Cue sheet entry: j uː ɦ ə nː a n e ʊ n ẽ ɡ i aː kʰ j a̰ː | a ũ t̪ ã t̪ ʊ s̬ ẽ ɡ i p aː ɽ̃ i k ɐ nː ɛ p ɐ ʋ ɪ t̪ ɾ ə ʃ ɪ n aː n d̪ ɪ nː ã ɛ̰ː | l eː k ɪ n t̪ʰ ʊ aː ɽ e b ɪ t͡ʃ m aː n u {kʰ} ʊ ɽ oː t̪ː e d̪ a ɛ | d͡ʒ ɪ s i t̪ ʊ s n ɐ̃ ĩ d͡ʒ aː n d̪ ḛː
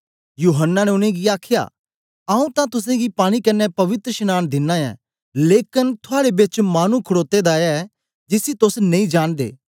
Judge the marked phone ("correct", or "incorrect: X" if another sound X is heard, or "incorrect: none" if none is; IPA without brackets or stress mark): correct